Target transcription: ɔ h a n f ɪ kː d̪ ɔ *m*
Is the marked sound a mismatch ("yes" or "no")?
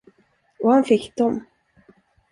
no